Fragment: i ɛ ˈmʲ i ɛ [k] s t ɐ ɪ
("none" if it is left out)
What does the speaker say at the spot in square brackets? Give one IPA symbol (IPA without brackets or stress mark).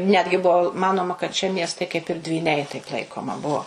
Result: none